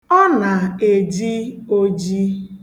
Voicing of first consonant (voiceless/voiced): voiced